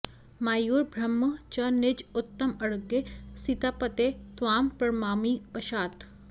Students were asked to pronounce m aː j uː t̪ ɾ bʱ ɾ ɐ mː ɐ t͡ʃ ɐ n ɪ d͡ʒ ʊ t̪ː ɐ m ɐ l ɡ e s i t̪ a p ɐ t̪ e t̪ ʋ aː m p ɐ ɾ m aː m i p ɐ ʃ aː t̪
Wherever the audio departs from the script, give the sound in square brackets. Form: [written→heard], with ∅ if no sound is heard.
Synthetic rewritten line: m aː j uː [t̪→∅] ɾ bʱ ɾ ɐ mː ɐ t͡ʃ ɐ n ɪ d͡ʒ ʊ t̪ː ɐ m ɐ [l→ɽ] ɡ e s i t̪ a p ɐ t̪ e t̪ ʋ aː m p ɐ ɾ m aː m i p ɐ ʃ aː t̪